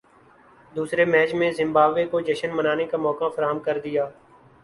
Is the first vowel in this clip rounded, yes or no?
yes